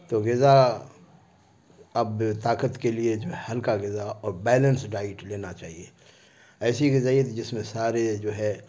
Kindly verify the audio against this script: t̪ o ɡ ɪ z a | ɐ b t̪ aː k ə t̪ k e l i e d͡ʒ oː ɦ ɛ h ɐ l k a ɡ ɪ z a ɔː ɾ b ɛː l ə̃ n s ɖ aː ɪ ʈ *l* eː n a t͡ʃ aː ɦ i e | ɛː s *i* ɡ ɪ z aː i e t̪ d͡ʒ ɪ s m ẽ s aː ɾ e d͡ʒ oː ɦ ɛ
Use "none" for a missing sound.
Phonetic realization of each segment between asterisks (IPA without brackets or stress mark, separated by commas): l, i